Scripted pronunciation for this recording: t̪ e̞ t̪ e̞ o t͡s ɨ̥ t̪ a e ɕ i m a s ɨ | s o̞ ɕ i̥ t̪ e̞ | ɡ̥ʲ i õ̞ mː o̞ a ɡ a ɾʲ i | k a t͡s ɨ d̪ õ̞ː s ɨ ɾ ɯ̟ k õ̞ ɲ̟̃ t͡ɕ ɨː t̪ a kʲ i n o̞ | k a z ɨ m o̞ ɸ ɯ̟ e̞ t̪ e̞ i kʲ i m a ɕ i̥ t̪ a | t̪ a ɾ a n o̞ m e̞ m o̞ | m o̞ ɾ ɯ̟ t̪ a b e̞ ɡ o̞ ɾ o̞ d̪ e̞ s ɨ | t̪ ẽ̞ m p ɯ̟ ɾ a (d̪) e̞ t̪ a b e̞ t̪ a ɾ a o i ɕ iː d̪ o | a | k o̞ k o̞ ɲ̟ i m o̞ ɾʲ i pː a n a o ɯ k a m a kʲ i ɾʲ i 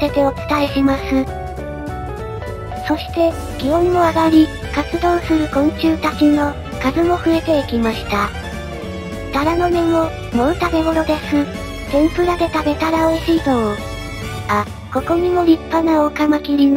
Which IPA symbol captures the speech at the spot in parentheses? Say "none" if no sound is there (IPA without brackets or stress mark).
d̪